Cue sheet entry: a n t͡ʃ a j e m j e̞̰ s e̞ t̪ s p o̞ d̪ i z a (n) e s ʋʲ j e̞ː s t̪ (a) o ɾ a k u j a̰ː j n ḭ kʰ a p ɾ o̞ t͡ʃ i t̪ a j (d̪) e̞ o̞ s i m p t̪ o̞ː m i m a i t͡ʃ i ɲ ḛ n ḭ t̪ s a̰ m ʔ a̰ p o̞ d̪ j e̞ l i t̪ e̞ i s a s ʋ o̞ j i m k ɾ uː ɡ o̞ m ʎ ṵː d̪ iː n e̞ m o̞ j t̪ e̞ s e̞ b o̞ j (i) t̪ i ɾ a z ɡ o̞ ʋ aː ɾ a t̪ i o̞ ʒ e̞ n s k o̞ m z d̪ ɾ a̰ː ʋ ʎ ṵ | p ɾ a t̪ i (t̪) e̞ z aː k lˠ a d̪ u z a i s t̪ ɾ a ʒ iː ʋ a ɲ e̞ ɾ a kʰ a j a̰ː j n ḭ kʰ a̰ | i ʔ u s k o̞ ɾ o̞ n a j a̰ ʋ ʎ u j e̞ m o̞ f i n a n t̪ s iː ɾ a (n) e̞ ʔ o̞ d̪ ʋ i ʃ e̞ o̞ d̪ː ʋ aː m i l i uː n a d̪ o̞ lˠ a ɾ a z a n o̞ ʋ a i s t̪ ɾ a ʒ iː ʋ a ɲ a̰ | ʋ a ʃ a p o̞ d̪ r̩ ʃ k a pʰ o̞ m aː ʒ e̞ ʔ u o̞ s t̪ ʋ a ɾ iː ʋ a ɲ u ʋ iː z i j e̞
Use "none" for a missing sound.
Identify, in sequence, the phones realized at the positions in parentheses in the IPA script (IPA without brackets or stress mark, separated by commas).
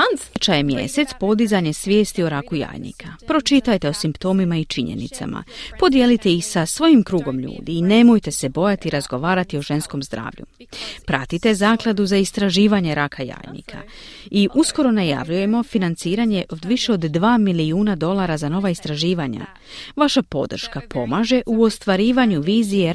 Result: ɲ, i, t̪, a, t̪, ɲ